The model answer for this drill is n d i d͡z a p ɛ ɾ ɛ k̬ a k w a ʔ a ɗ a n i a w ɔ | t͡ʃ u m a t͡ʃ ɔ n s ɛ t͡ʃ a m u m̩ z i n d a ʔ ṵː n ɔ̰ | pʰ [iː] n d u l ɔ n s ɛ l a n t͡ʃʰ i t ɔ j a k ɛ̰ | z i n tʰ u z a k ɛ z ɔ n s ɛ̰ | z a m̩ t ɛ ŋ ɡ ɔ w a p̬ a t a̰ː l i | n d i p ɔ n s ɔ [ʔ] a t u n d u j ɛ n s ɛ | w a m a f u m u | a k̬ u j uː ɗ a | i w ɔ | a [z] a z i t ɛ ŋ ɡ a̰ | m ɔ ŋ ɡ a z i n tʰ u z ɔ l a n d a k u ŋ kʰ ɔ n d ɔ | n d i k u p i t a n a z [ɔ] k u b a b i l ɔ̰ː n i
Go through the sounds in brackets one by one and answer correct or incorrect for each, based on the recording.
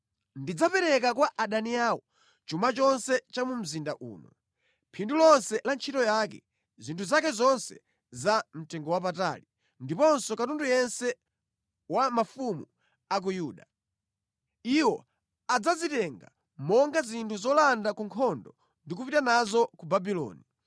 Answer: incorrect: i, incorrect: k, incorrect: d͡z, correct

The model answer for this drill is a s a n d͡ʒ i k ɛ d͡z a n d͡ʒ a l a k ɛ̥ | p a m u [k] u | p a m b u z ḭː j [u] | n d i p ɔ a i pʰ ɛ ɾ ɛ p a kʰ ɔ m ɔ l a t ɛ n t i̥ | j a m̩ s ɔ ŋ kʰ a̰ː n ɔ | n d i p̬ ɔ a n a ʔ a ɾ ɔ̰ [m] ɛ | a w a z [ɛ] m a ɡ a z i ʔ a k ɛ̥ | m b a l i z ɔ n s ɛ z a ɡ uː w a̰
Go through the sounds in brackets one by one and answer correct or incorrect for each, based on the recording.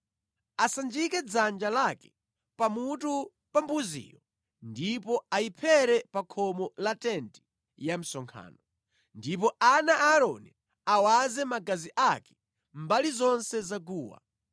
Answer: incorrect: t, incorrect: ɔ, incorrect: n, correct

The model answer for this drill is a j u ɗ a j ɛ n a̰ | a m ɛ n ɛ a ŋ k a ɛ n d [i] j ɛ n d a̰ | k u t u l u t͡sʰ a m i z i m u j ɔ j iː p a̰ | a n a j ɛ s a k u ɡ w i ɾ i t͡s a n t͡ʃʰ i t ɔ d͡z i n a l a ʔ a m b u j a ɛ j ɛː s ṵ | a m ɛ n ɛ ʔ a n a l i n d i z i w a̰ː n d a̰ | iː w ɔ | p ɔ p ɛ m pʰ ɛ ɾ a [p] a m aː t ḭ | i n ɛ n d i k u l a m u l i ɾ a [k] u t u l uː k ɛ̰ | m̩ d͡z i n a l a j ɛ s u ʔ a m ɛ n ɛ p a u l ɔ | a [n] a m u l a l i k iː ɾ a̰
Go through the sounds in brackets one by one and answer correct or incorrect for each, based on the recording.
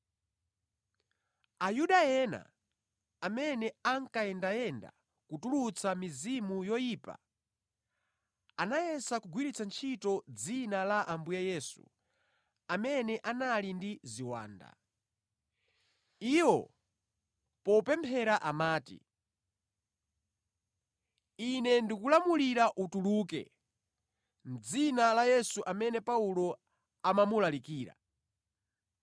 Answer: incorrect: a, incorrect: ʔ, incorrect: ʔ, incorrect: m

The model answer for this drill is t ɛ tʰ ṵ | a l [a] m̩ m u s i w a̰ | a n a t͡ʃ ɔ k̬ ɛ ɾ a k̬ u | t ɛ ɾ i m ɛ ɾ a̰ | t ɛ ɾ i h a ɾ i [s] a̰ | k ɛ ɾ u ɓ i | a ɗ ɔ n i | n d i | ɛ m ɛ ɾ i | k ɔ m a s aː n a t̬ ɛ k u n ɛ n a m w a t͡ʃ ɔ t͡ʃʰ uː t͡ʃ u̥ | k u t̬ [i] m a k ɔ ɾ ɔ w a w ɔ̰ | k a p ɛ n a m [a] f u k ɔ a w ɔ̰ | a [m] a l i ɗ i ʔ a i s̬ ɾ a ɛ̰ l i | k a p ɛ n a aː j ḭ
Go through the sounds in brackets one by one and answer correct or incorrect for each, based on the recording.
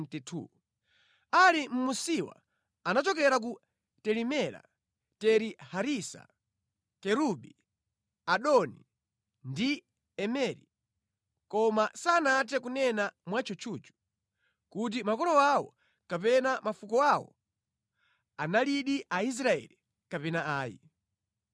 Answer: incorrect: i, correct, correct, correct, incorrect: n

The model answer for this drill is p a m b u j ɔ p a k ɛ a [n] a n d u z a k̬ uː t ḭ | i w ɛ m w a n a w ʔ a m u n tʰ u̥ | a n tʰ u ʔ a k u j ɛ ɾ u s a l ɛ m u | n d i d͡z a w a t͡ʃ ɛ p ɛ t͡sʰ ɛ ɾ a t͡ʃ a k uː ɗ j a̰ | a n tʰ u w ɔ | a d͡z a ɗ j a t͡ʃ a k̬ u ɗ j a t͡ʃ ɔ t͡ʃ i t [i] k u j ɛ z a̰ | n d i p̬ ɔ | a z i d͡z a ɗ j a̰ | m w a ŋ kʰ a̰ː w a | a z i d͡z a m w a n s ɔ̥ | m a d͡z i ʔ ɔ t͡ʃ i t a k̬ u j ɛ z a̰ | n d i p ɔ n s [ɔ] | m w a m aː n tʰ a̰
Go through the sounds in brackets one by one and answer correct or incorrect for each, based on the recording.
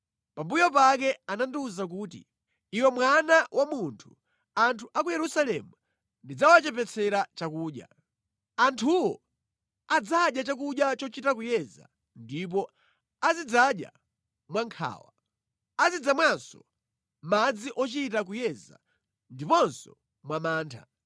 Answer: correct, incorrect: a, correct

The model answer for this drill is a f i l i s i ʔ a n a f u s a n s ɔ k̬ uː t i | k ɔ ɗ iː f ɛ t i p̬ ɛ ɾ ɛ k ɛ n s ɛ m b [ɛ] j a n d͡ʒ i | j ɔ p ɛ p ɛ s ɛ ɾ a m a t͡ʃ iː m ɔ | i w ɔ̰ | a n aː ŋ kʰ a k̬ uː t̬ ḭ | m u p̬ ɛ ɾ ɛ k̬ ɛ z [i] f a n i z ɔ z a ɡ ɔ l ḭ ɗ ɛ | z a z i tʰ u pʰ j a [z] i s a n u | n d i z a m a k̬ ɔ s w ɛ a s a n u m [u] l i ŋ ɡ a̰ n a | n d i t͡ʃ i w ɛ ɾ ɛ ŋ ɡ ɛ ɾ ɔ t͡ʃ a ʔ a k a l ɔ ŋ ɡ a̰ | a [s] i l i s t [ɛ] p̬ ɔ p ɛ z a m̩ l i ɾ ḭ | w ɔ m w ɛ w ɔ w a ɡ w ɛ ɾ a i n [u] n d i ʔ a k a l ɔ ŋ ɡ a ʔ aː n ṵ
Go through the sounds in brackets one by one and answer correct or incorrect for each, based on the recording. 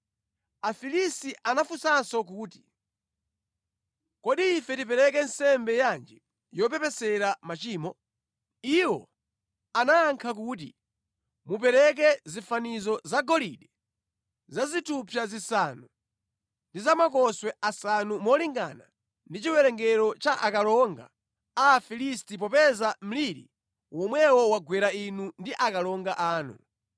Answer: correct, correct, correct, incorrect: ɔ, incorrect: f, incorrect: i, correct

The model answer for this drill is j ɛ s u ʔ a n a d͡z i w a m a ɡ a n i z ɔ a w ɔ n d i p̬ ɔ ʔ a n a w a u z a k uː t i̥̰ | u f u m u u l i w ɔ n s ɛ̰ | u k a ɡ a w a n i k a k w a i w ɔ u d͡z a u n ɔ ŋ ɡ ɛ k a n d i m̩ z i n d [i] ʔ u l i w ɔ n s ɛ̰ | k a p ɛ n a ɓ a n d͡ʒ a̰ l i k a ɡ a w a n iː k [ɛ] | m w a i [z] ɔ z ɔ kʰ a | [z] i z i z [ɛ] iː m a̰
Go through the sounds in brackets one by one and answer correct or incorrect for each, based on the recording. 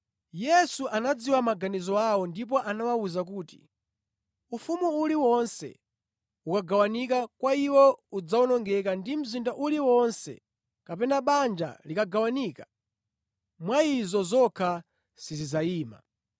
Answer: incorrect: a, incorrect: a, correct, incorrect: s, incorrect: a

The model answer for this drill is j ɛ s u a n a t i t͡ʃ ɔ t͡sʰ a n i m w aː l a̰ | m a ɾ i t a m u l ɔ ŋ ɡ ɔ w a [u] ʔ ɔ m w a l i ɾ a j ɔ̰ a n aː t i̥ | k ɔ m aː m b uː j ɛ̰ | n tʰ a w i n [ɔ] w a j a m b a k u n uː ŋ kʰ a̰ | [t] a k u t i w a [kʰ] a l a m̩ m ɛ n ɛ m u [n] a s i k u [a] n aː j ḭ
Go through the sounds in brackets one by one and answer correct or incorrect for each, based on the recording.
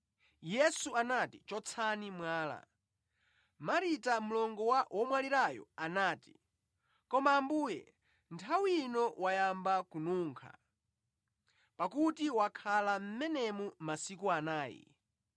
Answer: incorrect: w, correct, incorrect: p, correct, incorrect: m, correct

